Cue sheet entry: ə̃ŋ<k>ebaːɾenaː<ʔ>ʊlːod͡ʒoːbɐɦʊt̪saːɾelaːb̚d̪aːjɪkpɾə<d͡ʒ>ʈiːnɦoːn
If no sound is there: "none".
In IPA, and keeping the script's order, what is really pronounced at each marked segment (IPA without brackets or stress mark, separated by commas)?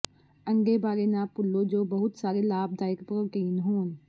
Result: ɡ, p, none